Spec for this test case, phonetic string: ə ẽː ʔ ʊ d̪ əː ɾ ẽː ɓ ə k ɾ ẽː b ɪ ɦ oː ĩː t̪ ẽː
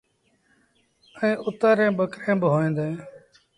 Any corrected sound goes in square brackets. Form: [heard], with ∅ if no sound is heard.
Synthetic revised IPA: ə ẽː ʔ ʊ [t̪] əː ɾ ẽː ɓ ə k ɾ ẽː b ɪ ɦ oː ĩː [d̪] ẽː